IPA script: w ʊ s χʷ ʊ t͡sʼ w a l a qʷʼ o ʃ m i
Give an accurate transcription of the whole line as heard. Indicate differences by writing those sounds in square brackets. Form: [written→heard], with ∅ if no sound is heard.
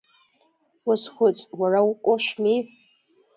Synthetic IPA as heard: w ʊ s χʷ ʊ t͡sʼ w a [l→r] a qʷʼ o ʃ m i